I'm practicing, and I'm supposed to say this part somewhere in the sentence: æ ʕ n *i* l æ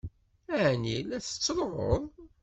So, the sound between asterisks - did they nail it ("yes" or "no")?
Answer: yes